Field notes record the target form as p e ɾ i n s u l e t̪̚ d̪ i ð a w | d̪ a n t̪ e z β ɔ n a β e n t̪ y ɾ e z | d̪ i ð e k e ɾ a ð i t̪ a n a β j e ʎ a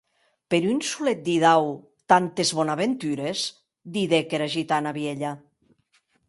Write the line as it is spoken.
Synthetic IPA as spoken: p e ɾ y n s u l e t̪̚ d̪ i ð a w | t̪ a n t̪ e z β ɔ n a β e n t̪ y ɾ e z | d̪ i ð e k e ɾ a ʒ i t̪ a n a β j e ʎ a